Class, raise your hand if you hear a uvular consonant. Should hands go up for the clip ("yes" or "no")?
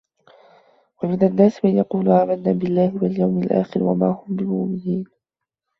yes